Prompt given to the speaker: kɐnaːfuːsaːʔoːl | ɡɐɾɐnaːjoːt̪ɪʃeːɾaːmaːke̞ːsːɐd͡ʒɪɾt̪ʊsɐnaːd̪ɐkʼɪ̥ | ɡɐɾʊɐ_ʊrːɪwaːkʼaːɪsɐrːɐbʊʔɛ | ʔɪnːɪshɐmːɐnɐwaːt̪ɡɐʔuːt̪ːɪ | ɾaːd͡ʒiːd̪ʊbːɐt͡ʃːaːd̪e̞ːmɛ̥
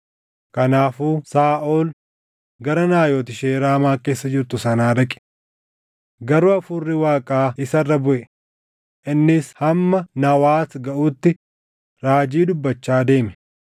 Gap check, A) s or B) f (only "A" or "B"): B